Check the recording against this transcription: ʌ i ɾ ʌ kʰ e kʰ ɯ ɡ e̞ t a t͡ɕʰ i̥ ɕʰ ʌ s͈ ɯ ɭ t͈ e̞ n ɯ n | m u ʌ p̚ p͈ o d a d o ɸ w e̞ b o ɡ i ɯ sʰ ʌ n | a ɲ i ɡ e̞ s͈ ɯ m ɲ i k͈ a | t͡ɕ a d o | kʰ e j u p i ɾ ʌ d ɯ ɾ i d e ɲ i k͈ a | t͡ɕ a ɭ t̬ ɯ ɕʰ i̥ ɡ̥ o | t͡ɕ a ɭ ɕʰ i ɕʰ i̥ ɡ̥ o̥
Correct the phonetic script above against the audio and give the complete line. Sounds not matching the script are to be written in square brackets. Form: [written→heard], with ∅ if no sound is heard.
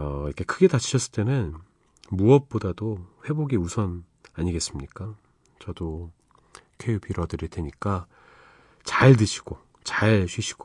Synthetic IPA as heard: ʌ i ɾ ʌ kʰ e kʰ ɯ ɡ e̞ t a t͡ɕʰ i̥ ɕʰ ʌ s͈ ɯ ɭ t͈ e̞ n ɯ n | m u ʌ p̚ p͈ o d a d o ɸ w e̞ b o ɡ i [ɯ→u] sʰ ʌ n | a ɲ i ɡ e̞ s͈ ɯ m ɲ i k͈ a | t͡ɕ [a→ʌ] d o | kʰ e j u p i ɾ ʌ d ɯ ɾ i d e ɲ i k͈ a | t͡ɕ a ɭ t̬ ɯ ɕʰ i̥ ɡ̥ o | t͡ɕ a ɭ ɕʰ i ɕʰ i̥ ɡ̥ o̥